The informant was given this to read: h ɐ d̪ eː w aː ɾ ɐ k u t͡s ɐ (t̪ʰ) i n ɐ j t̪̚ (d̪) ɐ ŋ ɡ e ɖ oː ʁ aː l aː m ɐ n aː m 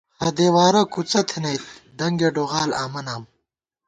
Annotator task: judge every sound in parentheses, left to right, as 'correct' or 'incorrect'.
correct, correct

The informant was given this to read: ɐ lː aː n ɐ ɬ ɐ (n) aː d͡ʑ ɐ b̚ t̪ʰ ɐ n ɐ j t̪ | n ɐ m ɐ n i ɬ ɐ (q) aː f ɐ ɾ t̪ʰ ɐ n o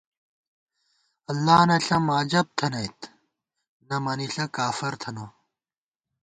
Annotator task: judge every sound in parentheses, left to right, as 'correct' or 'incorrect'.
incorrect: m, incorrect: k

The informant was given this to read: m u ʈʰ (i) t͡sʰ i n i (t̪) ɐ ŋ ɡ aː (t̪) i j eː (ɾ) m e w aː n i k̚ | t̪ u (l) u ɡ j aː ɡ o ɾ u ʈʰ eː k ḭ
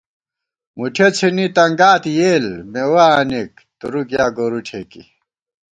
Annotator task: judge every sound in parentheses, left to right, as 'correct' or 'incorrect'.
incorrect: e, correct, correct, incorrect: l, incorrect: ɾ

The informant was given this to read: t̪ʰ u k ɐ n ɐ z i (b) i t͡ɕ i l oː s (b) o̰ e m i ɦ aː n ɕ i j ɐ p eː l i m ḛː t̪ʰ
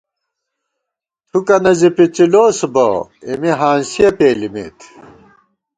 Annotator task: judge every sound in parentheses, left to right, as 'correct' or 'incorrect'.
incorrect: p, correct

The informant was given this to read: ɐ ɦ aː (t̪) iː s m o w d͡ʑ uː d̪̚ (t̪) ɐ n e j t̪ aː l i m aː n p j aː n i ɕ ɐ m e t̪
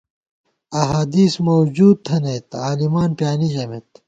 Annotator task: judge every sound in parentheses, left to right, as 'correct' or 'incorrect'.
incorrect: d̪, incorrect: t̪ʰ

